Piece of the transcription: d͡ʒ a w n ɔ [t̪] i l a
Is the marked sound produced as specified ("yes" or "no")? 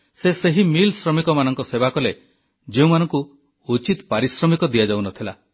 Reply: no